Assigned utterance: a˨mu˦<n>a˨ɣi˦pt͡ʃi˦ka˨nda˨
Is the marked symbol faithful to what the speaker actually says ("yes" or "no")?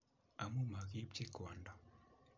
no